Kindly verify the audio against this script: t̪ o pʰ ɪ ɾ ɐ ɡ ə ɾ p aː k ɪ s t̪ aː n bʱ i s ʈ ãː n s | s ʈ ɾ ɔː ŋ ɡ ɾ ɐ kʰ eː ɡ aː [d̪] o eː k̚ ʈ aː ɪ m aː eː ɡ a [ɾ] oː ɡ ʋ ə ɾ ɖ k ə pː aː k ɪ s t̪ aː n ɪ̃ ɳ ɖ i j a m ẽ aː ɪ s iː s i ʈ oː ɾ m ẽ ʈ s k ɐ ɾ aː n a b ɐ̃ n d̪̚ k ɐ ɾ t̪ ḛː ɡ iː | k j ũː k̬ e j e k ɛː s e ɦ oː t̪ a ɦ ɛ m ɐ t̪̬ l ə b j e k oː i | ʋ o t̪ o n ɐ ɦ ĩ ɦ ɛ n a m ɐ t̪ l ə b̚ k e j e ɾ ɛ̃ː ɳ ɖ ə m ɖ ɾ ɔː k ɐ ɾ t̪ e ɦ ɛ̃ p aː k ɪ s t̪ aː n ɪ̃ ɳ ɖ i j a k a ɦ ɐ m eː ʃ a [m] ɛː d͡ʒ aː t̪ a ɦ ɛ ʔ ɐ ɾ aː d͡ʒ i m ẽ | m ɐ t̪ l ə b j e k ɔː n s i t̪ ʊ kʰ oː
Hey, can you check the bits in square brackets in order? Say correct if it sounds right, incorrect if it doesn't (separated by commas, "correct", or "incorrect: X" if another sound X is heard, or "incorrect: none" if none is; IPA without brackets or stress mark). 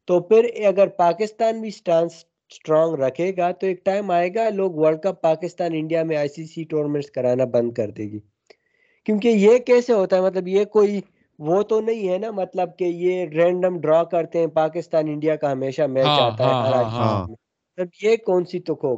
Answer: incorrect: t̪, incorrect: l, correct